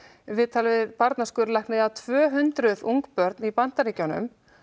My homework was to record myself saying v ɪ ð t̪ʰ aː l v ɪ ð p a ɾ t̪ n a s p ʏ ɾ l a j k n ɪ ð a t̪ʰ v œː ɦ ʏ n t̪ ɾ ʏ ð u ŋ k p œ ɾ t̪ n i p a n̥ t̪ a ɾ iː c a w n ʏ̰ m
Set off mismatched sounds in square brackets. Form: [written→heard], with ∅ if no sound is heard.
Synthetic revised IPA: v ɪ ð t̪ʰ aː l v ɪ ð p a ɾ t̪ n a s [p→k] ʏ ɾ l a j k n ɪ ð a t̪ʰ v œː ɦ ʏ n t̪ ɾ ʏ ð u ŋ k p œ ɾ t̪ n i p a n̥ t̪ a ɾ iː c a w n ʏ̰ m